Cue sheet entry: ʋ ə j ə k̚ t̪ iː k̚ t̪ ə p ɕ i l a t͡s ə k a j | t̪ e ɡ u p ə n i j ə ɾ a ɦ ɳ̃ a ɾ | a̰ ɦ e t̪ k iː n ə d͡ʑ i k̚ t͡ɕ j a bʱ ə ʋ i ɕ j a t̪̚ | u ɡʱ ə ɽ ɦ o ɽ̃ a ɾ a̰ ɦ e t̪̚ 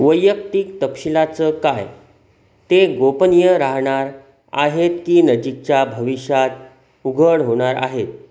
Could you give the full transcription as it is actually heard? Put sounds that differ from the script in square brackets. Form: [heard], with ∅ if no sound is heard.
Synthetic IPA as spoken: ʋ ə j ə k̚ t̪ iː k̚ t̪ ə p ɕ i l a t͡s ə k a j | t̪ e ɡ [o] p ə n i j ə ɾ a ɦ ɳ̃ a ɾ | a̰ ɦ e t̪ k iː n ə d͡ʑ i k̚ t͡ɕ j a bʱ ə ʋ i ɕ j a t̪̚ | u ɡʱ ə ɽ ɦ o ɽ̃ a ɾ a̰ ɦ e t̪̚